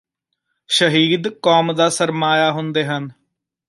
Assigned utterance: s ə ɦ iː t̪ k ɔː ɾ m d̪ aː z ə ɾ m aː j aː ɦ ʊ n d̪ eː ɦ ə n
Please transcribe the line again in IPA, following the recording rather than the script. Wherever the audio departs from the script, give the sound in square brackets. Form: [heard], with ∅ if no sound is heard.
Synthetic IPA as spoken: [ʃ] ə ɦ iː [d̪] k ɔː [∅] m d̪ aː [s] ə ɾ m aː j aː ɦ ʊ n d̪ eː ɦ ə n